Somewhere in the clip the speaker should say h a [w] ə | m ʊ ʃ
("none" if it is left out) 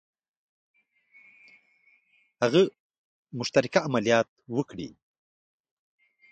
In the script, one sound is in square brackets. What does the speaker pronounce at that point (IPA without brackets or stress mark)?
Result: ɣ